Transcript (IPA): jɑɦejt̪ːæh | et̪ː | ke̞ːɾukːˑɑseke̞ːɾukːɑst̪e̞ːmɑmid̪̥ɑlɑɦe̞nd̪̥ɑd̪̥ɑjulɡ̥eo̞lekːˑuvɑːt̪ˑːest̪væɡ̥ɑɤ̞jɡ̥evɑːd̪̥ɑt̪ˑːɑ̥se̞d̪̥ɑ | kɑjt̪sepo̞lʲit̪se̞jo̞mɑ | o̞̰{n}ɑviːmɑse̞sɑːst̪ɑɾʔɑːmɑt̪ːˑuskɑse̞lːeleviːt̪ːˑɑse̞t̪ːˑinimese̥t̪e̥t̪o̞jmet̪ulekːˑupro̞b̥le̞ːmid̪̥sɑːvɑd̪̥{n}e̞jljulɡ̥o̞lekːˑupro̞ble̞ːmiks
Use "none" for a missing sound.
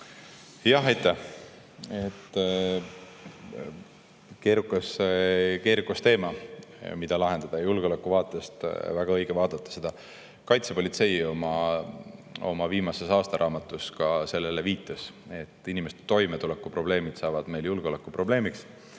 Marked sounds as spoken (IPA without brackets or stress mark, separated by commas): m, m